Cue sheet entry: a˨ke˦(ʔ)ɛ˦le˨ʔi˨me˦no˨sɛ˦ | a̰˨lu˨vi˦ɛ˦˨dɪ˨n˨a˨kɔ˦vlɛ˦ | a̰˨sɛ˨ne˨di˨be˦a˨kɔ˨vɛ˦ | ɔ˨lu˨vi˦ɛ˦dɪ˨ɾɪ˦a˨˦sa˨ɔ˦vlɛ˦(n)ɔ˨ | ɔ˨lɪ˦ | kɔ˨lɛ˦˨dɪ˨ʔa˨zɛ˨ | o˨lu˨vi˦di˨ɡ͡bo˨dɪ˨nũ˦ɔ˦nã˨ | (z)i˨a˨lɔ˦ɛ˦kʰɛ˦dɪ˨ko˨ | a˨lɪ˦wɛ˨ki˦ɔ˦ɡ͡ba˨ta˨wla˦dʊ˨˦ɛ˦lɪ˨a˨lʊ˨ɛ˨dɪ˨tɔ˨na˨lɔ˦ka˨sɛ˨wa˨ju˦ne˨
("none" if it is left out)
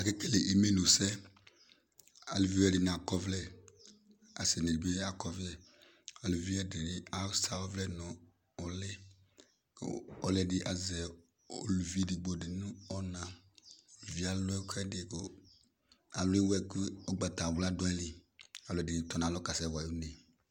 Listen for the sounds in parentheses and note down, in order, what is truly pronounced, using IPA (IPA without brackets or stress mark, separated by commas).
k, n, v